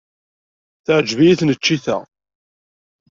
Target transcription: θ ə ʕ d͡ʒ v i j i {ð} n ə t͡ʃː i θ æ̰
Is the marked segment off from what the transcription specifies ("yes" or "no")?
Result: yes